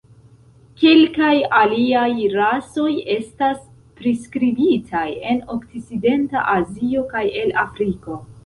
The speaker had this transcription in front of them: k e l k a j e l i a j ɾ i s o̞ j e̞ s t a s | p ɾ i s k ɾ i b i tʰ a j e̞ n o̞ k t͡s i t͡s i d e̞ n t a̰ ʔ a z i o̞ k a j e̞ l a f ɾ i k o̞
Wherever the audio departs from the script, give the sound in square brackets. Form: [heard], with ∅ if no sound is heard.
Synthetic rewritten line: k e l k a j [a] l i a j ɾ [a] s o̞ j e̞ s t a s | p ɾ i s k ɾ i b i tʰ a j e̞ n o̞ k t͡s i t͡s i d e̞ n t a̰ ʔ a z i o̞ k a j e̞ l a f ɾ i k o̞